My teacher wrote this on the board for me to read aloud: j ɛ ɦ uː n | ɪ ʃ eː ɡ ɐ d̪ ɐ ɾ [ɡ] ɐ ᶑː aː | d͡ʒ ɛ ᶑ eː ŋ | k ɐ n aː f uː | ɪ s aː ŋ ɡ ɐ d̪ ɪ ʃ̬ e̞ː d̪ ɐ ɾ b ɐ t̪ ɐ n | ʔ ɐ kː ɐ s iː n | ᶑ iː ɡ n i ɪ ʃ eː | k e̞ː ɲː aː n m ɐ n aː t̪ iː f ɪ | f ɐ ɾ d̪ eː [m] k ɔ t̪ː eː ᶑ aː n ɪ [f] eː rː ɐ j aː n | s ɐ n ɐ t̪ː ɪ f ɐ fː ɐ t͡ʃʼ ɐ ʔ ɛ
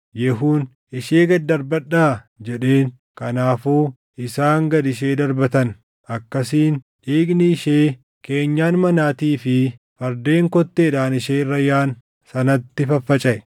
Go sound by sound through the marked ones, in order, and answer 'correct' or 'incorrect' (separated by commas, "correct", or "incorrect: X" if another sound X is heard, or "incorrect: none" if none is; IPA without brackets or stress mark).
incorrect: b, incorrect: ŋ, incorrect: ʃ